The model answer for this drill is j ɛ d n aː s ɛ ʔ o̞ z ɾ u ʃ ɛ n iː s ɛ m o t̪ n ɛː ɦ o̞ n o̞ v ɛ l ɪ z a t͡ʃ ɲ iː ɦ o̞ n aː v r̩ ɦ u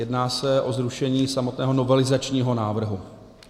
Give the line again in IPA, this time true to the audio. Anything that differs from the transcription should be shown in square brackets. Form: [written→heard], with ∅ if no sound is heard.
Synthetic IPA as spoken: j ɛ d n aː s ɛ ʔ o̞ z ɾ u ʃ ɛ [n→ɲ] iː s [ɛ→a] m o t̪ n ɛː ɦ o̞ n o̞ v ɛ l ɪ z a t͡ʃ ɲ iː ɦ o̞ n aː v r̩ ɦ u